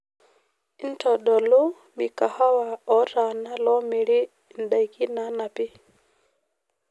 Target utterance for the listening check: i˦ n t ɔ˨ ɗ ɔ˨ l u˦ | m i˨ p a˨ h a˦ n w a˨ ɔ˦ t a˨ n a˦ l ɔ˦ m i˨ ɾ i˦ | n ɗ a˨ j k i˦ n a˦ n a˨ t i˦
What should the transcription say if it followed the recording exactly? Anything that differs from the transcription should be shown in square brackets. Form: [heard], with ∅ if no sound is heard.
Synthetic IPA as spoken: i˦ n t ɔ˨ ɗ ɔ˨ l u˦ | m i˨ [k] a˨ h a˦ [∅] w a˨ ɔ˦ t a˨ n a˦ l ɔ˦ m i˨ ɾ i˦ | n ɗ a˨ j k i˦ n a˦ n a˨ [p] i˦